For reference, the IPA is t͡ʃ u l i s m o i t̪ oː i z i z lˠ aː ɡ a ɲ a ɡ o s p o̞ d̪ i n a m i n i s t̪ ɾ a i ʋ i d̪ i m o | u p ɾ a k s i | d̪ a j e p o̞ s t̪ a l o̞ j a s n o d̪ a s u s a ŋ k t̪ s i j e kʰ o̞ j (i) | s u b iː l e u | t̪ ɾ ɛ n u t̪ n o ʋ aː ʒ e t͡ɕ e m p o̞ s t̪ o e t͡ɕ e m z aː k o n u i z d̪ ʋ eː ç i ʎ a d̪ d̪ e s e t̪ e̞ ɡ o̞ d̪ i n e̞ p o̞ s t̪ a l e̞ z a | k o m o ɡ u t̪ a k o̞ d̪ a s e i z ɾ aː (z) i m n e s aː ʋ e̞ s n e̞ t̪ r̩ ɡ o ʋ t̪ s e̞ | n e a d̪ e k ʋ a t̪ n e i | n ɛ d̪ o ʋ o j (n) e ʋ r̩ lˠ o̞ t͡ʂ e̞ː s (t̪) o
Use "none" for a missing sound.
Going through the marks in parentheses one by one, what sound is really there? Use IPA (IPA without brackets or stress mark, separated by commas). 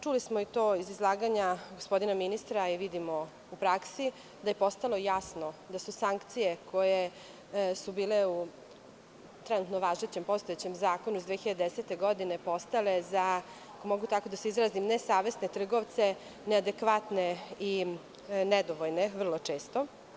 e, z, n, t̪